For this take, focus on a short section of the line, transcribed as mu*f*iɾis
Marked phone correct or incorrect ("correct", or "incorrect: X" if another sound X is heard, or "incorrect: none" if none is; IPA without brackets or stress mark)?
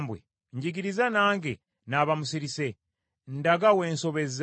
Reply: incorrect: s